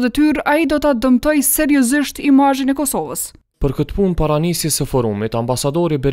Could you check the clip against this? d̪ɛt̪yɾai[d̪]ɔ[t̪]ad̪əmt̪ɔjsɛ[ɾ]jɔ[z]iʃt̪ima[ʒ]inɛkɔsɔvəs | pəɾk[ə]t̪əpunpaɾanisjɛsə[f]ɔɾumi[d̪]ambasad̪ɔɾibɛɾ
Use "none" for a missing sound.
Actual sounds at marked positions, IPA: d̪, t̪, ɾ, z, ʒ, ə, f, t̪

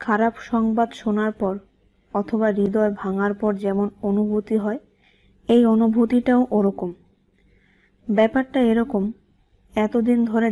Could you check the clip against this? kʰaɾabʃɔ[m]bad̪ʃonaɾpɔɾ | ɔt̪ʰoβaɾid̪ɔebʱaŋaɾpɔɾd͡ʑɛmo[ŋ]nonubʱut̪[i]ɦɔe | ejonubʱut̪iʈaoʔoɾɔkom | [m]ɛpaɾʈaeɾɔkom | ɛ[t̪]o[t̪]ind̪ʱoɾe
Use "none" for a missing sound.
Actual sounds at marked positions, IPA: ŋ, none, i, b, t̪, d̪

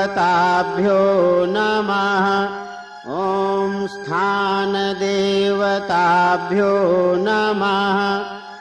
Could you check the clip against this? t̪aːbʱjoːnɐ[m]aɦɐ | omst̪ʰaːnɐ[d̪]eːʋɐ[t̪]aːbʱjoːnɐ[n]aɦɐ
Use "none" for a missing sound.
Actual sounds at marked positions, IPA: m, d̪, t̪, m

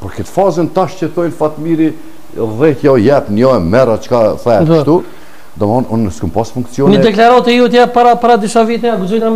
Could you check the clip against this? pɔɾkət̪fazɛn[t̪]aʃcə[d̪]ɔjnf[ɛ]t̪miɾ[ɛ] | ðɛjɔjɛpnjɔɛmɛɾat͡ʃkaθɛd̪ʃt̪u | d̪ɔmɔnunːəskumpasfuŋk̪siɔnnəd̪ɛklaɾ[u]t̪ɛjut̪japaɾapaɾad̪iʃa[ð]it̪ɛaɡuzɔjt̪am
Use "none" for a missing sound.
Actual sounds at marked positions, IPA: t̪, t̪, a, i, ɔ, v

